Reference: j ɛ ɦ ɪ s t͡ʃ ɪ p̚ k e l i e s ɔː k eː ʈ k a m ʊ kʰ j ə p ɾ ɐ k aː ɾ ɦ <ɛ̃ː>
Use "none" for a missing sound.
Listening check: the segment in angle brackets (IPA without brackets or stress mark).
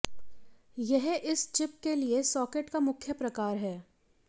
ɛː